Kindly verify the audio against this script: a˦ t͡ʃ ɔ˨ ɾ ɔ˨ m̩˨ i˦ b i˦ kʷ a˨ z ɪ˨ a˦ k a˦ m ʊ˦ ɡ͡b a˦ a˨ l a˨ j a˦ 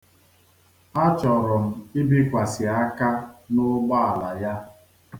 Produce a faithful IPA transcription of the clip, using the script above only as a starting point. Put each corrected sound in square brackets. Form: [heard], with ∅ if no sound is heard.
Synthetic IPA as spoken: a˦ t͡ʃ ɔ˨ ɾ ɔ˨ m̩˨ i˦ b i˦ kʷ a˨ [s] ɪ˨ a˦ k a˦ [n] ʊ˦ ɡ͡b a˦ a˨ l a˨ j a˦